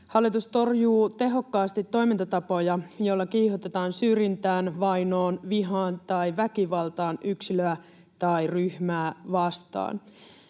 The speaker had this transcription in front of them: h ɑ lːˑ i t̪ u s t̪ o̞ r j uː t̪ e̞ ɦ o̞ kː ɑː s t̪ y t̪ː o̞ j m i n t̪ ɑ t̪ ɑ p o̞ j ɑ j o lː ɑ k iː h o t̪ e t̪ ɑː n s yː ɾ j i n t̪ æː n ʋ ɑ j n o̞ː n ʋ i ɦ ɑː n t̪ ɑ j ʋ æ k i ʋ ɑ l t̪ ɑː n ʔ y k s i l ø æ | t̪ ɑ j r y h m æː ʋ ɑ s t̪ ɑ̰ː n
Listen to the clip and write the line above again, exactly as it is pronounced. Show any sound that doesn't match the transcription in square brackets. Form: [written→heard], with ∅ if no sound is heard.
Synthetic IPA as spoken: h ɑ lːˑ i t̪ u s t̪ o̞ r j uː t̪ e̞ ɦ o̞ kː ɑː s t̪ [y→i] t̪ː o̞ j m i n t̪ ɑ t̪ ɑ p o̞ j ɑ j o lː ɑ k iː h o t̪ e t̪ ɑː n s yː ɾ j i n t̪ æː n ʋ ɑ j n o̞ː n ʋ i ɦ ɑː n t̪ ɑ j ʋ æ k i ʋ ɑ l t̪ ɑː n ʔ y k s i l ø æ | t̪ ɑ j r y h m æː ʋ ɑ s t̪ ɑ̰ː n